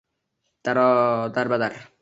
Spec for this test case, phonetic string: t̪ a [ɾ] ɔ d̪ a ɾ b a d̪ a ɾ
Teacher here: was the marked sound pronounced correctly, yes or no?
yes